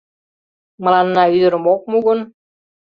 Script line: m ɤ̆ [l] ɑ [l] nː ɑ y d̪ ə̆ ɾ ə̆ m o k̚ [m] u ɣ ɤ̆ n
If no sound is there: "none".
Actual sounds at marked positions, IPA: l, none, m

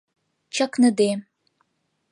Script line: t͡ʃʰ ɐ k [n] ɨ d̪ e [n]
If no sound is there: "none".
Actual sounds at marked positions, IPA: n, none

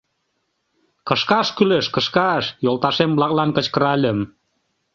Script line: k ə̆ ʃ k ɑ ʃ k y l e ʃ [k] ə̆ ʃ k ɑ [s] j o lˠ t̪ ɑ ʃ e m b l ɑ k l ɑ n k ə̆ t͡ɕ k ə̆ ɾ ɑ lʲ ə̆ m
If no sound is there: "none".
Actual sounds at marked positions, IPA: k, ʃ

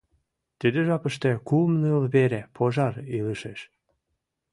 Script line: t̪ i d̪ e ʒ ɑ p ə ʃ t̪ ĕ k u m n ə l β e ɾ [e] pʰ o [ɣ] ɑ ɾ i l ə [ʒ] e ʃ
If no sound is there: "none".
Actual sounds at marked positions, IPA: e, ʒ, ʃ

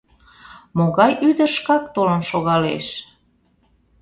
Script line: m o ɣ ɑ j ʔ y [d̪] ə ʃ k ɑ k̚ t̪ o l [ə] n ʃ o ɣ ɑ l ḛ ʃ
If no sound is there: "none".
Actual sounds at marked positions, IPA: d̪, ə

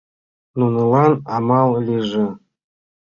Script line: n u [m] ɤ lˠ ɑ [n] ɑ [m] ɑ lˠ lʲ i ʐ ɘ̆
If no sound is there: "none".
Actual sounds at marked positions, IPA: n, n, m

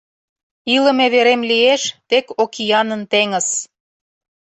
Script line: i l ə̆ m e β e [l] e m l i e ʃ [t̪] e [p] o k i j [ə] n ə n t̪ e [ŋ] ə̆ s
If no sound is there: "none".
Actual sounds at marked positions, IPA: ɾ, t̪, k, ɑ, ŋ

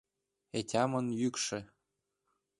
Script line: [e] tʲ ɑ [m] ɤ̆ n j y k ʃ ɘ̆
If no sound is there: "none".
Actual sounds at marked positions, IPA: e, m

